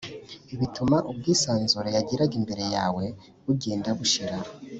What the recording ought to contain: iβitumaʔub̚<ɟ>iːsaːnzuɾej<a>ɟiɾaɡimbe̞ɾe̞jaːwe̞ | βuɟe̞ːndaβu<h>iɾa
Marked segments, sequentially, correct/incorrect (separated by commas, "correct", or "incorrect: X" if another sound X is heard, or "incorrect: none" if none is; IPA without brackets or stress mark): incorrect: ɡ, correct, incorrect: ʃ